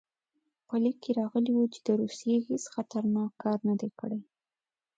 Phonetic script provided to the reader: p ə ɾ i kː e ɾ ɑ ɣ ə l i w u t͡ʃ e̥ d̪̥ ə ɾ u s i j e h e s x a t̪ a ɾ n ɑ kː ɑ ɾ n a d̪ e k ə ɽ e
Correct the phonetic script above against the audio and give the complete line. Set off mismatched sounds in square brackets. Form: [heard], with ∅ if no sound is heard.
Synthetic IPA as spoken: p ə [l] i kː e ɾ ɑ ɣ ə l i w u t͡ʃ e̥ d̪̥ ə ɾ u s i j e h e s x a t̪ a ɾ n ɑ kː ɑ ɾ n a d̪ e k ə ɽ e